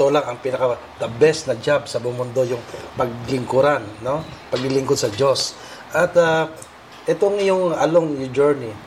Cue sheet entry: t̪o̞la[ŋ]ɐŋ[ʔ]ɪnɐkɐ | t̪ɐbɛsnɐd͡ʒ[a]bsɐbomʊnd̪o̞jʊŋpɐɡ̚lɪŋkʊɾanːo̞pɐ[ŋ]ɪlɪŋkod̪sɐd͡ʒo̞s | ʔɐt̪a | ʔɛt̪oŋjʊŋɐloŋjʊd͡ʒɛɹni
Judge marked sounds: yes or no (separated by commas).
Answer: yes, no, yes, no